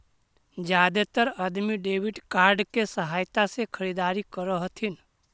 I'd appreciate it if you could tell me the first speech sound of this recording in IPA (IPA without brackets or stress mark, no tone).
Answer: d͡ʒ